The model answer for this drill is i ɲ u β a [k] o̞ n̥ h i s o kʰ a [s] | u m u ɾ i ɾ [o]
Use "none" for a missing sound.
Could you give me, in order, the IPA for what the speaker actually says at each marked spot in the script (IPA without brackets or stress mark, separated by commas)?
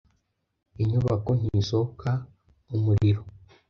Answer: k, none, o